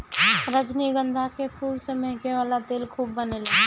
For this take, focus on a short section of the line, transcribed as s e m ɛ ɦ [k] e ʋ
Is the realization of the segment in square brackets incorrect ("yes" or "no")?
no